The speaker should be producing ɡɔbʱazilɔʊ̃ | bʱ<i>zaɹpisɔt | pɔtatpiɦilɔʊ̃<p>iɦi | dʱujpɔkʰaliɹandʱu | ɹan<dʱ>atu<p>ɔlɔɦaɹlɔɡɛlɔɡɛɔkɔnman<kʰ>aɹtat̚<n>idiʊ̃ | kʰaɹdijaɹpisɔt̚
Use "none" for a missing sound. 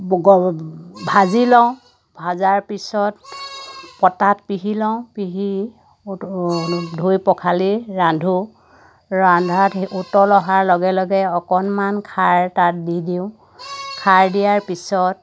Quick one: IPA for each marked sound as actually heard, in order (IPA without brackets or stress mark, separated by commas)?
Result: a, p, dʱ, t, kʰ, d